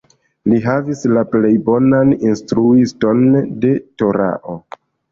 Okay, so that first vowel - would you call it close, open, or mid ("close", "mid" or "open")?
close